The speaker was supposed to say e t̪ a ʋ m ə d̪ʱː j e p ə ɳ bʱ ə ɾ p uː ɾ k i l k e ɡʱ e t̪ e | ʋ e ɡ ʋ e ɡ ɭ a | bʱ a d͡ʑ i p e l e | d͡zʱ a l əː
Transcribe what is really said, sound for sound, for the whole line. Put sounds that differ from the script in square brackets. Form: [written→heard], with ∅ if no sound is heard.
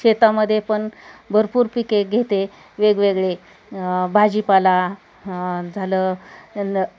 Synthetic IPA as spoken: e t̪ a [ʋ→∅] m ə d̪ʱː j e p ə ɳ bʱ ə ɾ p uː ɾ [k→p] i [l→∅] k e ɡʱ e t̪ e | ʋ e ɡ ʋ e ɡ ɭ [a→e] | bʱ a d͡ʑ i p [e→a] l [e→a] | d͡zʱ a l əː